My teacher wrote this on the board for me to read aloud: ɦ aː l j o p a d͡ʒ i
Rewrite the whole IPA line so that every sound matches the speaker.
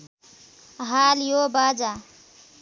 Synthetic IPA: ɦ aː l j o b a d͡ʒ a